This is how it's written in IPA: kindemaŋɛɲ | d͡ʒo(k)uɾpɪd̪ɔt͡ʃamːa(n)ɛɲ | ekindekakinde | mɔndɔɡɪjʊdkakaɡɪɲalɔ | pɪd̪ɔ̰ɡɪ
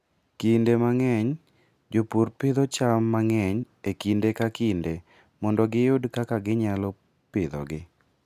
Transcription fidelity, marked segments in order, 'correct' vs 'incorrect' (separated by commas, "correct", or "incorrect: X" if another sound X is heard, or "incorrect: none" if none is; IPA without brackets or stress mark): incorrect: p, incorrect: ŋ